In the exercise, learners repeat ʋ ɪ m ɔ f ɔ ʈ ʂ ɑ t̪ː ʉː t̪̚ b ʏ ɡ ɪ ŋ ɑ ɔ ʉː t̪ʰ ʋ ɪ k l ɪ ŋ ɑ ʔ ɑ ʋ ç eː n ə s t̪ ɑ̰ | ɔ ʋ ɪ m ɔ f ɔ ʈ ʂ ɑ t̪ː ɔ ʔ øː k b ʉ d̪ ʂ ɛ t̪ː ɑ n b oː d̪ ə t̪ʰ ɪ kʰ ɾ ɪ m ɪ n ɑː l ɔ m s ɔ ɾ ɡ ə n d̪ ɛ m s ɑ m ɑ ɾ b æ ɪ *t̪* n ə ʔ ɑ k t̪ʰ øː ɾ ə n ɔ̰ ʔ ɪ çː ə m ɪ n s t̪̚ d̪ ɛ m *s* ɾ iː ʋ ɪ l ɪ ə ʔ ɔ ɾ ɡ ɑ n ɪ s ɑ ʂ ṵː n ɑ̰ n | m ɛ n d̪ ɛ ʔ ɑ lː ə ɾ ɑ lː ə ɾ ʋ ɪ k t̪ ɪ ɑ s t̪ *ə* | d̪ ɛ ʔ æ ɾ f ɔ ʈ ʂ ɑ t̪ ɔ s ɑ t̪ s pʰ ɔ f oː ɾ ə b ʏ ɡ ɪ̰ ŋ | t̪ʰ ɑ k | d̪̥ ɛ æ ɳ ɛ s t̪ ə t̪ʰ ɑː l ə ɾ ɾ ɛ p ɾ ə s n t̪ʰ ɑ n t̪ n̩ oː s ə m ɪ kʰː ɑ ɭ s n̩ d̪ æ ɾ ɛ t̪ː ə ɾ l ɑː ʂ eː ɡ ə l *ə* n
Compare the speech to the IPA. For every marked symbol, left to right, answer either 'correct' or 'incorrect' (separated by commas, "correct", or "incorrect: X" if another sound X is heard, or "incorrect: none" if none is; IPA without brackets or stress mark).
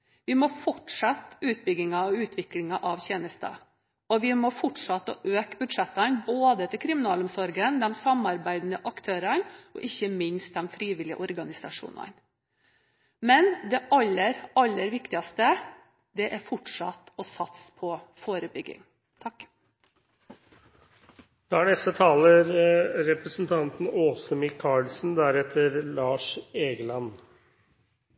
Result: incorrect: d̪, incorrect: f, correct, incorrect: ɑ